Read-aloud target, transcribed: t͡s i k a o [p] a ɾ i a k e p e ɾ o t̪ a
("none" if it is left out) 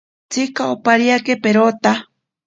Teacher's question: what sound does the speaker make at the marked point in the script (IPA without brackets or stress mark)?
p